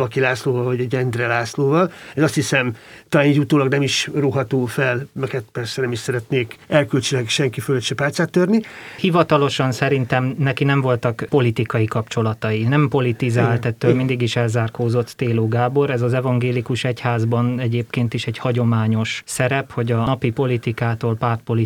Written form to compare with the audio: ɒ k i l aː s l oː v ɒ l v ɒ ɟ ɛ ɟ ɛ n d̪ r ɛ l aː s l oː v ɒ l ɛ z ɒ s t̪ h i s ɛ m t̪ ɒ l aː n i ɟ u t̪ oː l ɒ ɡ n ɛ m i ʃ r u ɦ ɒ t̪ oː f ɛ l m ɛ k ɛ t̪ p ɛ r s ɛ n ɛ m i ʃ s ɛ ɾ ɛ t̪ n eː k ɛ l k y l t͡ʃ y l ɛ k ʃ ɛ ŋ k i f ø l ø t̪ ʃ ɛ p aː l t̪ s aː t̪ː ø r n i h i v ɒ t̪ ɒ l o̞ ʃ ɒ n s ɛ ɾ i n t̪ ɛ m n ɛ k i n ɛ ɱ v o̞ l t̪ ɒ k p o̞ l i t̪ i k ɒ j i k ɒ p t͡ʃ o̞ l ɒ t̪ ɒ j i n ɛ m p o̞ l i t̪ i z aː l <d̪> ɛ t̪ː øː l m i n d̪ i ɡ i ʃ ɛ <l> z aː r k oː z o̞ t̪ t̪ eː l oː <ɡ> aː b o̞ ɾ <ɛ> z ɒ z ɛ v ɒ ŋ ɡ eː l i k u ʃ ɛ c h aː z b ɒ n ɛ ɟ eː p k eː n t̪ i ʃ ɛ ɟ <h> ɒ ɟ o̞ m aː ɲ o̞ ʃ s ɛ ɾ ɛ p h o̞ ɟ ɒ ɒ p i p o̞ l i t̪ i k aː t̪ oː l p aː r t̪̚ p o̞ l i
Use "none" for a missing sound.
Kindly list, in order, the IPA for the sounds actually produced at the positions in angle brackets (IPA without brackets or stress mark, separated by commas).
t̪, l, ɡ, ɛ, h